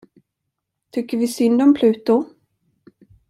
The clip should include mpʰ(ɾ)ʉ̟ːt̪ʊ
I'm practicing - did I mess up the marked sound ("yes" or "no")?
yes